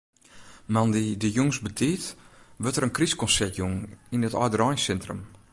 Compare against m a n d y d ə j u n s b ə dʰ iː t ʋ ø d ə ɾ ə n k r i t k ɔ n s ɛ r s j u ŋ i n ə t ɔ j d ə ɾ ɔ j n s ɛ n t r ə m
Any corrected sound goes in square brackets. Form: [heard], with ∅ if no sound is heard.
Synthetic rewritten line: m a n d [i] d ə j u [ŋ] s b ə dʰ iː t ʋ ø [t] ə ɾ ə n k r i [s] k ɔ n s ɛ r [t] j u ŋ i n ə t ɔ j d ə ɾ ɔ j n s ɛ n t r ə m